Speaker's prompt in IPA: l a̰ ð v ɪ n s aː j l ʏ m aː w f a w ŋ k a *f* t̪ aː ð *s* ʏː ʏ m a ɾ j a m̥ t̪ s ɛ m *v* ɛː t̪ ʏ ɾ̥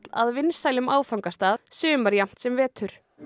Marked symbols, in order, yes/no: no, yes, yes

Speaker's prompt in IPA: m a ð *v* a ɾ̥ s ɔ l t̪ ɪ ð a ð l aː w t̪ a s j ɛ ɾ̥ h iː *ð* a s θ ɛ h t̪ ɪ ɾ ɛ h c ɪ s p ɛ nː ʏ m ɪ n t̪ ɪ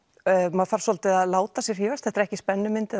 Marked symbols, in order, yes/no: no, no

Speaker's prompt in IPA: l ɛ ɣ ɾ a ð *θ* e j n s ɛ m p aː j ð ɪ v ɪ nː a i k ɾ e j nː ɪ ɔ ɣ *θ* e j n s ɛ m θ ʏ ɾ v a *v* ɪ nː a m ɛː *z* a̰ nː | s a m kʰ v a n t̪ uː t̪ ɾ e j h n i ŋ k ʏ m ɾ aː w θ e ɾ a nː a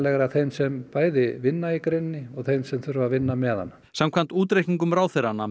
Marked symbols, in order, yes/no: yes, yes, yes, no

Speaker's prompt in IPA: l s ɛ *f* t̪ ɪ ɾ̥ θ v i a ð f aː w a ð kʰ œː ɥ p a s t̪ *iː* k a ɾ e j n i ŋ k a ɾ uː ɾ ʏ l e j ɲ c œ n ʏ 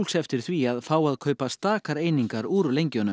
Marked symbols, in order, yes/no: yes, no

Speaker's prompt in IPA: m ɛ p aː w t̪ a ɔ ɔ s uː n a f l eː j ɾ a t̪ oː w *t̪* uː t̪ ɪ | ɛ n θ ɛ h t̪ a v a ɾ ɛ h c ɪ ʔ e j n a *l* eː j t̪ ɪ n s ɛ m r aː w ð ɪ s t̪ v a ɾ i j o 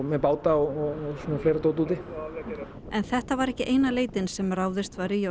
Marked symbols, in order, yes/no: yes, yes

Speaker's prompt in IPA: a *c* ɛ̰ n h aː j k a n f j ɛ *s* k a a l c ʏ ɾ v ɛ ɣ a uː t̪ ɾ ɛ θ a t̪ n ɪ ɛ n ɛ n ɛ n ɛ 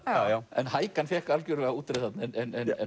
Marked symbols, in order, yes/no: no, no

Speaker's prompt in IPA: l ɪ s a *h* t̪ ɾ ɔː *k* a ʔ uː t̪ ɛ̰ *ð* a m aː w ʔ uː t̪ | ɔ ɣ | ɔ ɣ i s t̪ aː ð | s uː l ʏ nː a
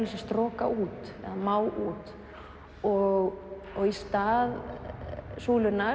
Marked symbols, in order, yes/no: no, yes, yes

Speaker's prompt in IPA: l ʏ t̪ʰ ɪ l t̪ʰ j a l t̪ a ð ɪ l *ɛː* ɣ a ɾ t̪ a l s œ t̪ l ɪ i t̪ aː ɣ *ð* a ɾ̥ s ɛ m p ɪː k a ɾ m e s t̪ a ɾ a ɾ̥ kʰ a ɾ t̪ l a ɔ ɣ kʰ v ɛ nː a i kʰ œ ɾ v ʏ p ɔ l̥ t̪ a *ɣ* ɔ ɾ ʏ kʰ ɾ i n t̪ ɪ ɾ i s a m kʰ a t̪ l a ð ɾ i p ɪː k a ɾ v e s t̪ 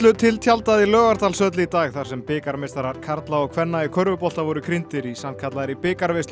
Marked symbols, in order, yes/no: no, no, no

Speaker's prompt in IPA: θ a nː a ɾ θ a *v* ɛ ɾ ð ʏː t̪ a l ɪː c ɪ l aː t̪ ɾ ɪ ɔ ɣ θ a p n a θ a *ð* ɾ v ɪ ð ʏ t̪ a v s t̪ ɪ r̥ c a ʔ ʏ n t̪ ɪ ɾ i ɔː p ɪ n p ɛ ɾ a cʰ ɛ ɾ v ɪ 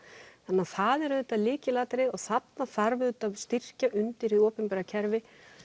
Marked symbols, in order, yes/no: no, no

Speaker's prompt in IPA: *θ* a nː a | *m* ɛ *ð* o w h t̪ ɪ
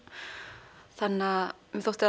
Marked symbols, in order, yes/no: yes, yes, no

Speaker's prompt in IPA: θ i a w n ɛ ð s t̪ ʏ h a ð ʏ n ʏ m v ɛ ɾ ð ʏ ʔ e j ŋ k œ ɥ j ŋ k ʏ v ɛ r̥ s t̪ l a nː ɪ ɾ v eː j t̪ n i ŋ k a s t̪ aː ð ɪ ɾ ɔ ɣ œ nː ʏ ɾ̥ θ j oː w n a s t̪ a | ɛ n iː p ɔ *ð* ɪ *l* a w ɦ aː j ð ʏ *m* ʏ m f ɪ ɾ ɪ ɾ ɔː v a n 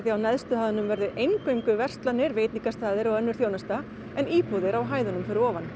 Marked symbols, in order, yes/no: yes, no, no

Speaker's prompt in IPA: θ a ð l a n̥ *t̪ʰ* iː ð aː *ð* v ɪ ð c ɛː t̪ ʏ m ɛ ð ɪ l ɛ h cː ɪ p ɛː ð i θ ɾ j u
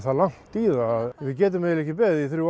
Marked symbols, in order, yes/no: no, yes

